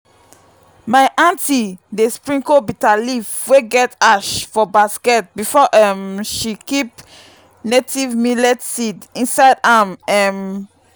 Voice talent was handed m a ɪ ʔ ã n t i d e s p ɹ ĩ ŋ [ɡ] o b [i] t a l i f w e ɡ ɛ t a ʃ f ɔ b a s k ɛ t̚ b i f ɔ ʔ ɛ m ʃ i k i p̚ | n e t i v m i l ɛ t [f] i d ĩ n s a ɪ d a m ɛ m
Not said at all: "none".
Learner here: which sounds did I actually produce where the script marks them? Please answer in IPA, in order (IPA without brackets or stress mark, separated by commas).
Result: k, i, s